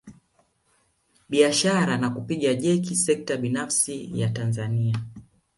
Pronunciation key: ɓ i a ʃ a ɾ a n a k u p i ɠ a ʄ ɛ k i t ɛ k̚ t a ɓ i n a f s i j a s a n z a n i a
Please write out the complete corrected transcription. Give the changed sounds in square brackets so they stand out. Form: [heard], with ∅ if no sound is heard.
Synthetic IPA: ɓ i a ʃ a ɾ a n a k u p i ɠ a ʄ ɛ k i [s] ɛ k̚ t a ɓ i n a f s i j a [t] a n z a n i a

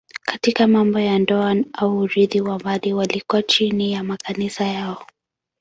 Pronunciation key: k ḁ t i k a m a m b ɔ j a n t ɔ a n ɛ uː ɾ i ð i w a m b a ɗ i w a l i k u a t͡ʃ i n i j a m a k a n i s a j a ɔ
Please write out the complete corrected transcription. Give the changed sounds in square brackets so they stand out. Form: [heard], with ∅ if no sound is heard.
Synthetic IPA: k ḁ t i k a m a m b ɔ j a n [d] ɔ a n [a] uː ɾ i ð i w a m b a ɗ i w a l i k u a t͡ʃ i n i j a m a k a n i s a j a ɔ

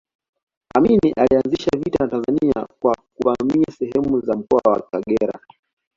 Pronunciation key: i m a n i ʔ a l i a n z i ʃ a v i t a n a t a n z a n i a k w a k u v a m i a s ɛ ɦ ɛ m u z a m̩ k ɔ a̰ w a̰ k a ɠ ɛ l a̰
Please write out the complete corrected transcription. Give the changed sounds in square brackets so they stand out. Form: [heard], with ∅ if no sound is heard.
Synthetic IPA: [a] m [i] n i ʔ a l i a n z i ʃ a v i t a n a t a n z a n i a k w a k u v a m i a s ɛ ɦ ɛ m u z a m̩ k ɔ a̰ w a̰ k a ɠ ɛ [ɾ] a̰

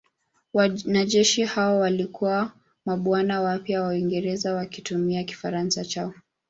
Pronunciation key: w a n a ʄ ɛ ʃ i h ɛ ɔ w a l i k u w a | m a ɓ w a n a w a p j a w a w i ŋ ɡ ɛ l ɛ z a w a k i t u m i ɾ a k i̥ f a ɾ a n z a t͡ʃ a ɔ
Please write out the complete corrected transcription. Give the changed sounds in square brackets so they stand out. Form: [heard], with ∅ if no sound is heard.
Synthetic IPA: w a n a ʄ ɛ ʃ i h [a] ɔ w a l i k u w a | m a ɓ w a n a w a p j a w a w i ŋ ɡ ɛ [ɾ] ɛ z a w a k i t u m i [∅] a k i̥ f a ɾ a n [s] a t͡ʃ a ɔ

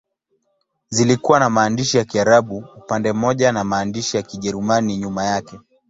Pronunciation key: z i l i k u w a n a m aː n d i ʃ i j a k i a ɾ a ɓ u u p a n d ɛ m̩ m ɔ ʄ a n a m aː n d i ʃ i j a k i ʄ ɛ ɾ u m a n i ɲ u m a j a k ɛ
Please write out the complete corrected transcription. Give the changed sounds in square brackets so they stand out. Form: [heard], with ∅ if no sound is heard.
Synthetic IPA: z i l i k u w a n a m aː n d i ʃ i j a k i a ɾ a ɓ u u p a n d ɛ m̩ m ɔ ʄ a n a m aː n d i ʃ i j a k i ʄ ɛ ɾ u m a n i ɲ u m a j a k ɛ

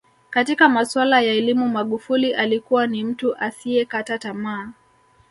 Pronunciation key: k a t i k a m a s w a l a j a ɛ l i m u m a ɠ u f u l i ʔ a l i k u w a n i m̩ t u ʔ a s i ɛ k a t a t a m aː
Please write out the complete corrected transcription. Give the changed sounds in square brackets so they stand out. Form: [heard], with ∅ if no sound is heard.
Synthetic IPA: k a t i k a m a s w a l a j a ɛ l i m u m a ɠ u f u l i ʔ a l i k u w a n i m̩ t u ʔ a s i ɛ k a t a t a m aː

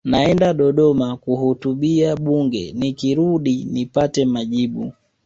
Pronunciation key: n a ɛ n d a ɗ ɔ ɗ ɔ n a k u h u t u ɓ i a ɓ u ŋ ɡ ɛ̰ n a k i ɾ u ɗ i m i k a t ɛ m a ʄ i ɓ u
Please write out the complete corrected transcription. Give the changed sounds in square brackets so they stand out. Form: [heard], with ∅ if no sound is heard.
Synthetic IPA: n a ɛ n d a ɗ ɔ ɗ ɔ [m] a k u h u t u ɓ i a ɓ u ŋ ɡ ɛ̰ n [i] k i ɾ u ɗ i [n] i [p] a t ɛ m a ʄ i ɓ u

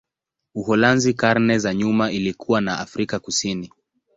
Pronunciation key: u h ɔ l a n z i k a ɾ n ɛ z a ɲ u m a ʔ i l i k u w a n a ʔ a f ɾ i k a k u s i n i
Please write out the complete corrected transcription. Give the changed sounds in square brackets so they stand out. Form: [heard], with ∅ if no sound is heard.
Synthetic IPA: u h ɔ l a n z i k a ɾ n ɛ z a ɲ u m a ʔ i l i k u w a n a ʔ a f ɾ i k a k u s i n i

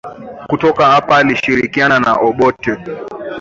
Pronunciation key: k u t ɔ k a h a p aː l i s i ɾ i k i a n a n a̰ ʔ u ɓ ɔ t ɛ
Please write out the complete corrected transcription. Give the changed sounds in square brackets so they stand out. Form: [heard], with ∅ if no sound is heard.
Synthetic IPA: k u t ɔ k a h a p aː l i [ʃ] i ɾ i k i a n a n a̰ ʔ [ɔ] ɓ ɔ t ɛ

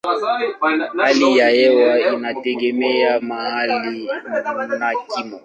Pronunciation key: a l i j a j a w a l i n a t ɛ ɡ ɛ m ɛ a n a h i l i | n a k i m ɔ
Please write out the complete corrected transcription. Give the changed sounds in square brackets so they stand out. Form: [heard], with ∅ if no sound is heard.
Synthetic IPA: a l i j a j [ɛ] w a [∅] i n a t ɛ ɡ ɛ m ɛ a [m] a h [a] l i | n a k i m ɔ

